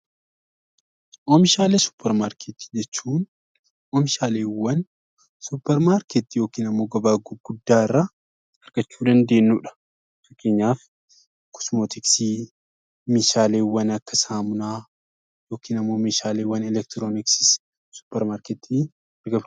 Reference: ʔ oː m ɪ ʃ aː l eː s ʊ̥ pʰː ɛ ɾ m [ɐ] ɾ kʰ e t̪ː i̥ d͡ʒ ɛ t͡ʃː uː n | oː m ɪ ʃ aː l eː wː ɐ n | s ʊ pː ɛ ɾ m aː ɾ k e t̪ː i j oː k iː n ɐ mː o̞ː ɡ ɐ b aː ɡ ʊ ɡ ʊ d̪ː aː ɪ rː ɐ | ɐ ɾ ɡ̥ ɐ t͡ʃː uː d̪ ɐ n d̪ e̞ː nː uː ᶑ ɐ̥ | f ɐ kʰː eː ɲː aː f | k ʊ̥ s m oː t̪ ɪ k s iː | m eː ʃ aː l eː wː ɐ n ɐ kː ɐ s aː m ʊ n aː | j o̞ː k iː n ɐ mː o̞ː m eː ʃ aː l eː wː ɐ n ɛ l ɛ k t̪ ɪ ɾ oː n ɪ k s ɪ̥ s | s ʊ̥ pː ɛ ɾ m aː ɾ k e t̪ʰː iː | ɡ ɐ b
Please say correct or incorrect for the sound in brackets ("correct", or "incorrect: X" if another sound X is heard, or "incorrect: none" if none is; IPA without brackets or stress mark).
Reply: incorrect: a